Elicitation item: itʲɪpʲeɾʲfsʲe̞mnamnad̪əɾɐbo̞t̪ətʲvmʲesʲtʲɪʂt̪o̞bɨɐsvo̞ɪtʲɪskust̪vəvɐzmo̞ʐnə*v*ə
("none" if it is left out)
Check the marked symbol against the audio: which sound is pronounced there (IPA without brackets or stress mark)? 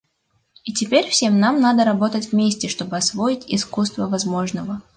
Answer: v